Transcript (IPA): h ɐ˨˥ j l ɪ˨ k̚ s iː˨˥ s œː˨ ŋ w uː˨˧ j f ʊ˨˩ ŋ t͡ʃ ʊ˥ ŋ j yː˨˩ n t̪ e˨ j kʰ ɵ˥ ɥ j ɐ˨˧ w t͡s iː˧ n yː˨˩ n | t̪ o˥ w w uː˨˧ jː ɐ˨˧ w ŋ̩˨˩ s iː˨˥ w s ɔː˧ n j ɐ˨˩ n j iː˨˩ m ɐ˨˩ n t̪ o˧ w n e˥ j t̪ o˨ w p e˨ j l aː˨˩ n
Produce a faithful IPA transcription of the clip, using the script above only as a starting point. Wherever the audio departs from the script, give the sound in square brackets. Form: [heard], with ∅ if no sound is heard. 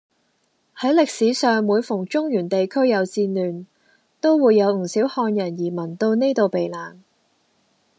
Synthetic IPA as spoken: h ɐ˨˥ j l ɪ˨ k̚ s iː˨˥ s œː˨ ŋ w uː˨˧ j f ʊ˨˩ ŋ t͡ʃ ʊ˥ ŋ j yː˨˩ n t̪ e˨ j kʰ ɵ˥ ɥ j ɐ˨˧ w t͡s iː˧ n yː˨˩ n | t̪ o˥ w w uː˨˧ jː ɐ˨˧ w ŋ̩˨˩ s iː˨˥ w [h] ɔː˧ n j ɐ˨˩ n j iː˨˩ m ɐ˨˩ n t̪ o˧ w n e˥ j t̪ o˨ w p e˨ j l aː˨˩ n